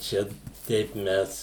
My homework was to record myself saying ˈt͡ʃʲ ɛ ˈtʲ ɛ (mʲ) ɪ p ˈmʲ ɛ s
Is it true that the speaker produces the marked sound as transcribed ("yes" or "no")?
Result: no